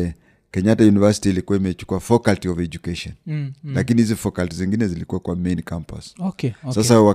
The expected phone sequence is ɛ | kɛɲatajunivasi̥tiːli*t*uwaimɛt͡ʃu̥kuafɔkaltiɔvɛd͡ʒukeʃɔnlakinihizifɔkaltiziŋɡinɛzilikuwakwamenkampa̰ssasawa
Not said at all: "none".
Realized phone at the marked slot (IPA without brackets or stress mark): k